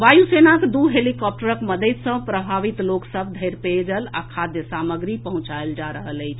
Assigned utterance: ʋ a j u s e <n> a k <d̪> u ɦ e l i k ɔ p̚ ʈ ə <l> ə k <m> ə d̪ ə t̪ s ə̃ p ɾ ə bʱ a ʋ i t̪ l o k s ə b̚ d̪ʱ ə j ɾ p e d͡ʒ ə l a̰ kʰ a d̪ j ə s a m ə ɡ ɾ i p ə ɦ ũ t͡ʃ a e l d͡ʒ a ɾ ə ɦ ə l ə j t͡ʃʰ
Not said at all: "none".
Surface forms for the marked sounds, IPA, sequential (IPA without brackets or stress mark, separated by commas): n, d̪, ɾ, m